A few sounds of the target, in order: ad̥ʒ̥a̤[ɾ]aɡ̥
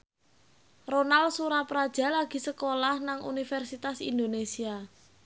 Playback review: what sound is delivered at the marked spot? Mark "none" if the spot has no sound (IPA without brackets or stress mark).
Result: l